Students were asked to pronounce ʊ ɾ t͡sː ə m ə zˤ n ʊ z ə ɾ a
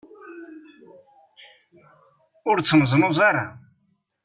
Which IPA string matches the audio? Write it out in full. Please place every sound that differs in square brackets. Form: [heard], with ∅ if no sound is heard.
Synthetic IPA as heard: ʊ ɾ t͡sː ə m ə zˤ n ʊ z [a] ɾ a